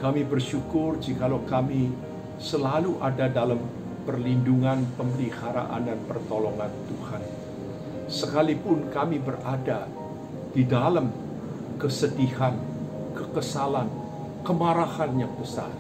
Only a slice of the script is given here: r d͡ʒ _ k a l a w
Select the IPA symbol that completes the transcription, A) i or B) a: A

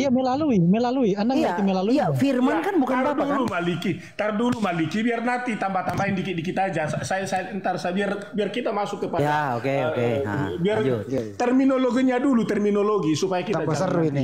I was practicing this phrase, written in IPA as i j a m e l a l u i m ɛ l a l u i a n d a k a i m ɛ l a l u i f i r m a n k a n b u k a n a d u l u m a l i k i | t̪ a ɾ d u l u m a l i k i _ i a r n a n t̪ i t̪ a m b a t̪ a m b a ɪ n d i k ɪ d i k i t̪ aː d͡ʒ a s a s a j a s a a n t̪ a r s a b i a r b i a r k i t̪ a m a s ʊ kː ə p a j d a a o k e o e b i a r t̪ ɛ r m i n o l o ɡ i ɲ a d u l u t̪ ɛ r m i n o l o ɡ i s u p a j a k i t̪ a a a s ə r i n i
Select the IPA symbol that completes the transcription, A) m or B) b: B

